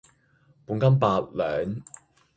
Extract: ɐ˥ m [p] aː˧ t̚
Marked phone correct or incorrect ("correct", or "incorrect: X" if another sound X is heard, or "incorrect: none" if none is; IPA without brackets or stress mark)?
correct